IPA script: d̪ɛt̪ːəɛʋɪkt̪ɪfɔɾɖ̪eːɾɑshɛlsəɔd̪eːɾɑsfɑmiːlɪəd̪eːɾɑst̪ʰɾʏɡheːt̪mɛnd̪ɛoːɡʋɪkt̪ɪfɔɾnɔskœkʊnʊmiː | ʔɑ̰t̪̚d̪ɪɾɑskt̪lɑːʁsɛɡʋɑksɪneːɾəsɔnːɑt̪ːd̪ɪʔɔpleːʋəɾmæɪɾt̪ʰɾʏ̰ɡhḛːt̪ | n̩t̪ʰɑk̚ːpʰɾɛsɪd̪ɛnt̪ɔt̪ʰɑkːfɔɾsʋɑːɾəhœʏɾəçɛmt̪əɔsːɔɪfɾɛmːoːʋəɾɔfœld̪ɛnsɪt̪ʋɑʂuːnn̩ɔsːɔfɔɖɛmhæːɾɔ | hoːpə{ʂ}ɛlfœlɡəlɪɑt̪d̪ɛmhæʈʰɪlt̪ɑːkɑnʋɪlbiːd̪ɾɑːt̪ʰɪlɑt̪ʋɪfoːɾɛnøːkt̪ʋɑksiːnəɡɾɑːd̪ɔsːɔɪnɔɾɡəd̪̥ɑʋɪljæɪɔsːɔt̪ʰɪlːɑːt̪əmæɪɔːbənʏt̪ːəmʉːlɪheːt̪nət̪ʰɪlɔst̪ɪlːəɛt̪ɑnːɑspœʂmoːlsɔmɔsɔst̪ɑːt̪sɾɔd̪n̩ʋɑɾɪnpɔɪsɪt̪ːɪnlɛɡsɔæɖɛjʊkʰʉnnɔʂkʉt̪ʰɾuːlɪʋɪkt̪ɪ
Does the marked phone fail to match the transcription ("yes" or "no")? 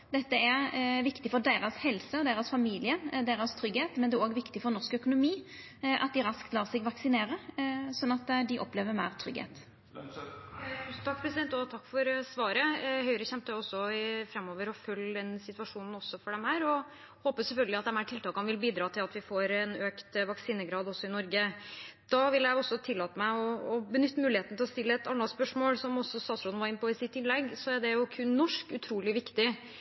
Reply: yes